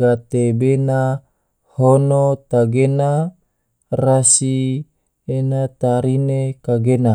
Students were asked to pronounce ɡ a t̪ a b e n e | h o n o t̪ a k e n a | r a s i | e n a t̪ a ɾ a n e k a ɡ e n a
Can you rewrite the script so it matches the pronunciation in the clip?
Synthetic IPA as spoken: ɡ a t̪ e b e n a | h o n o t̪ a ɡ e n a | r a s i | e n a t̪ a ɾ i n e k a ɡ e n a